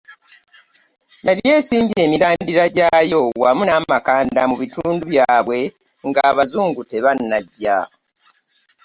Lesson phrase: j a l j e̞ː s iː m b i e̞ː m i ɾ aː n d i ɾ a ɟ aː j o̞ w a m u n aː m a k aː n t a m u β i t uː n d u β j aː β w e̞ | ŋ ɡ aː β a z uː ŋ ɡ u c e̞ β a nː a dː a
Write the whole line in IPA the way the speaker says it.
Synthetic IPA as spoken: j a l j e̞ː s iː m b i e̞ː m i ɾ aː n d i ɾ a ɟ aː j o̞ w a m u n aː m a k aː n d a m u β i t uː n d u β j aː β w e̞ | ŋ ɡ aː β a z uː ŋ ɡ u t e̞ β a nː a ɟː a